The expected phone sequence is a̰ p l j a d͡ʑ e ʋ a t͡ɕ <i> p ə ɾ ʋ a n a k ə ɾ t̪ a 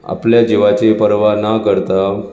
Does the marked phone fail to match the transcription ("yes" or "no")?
yes